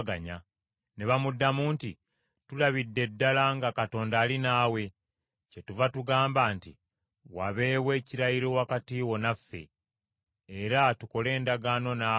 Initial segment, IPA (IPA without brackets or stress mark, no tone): ɡ